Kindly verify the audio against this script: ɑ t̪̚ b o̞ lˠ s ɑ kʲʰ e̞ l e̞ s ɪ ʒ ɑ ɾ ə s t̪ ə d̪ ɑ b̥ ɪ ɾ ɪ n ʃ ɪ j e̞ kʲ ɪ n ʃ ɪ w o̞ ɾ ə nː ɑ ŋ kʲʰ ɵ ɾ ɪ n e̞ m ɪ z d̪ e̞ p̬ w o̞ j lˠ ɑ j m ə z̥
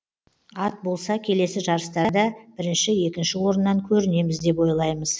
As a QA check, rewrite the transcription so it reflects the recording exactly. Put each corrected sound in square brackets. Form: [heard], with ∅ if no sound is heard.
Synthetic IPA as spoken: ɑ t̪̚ b o̞ lˠ s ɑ kʲʰ e̞ l e̞ s ɪ ʒ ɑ ɾ ə s t̪ [ɑ] d̪ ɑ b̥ ɪ ɾ ɪ n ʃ ɪ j e̞ kʲ ɪ n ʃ ɪ w o̞ ɾ ə nː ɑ ŋ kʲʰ ɵ ɾ ɪ n e̞ m ɪ z d̪ e̞ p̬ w o̞ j lˠ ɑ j m ə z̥